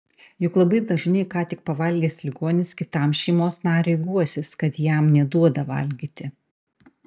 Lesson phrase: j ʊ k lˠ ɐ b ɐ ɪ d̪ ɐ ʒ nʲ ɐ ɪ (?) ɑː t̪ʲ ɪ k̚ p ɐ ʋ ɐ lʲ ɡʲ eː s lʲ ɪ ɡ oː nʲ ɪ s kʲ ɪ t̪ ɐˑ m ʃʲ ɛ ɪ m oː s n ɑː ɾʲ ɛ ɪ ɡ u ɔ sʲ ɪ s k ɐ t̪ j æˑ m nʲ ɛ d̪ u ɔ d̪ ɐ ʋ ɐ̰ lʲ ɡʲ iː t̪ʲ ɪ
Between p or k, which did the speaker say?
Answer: k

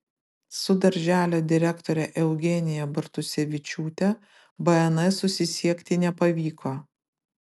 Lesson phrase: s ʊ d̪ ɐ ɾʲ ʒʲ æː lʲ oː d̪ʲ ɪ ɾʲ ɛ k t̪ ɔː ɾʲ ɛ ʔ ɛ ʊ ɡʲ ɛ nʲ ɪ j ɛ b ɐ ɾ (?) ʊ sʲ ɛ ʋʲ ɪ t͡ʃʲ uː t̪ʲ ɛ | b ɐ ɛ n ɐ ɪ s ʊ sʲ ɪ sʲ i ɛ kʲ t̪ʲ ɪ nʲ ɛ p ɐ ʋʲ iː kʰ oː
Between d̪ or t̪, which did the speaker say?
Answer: t̪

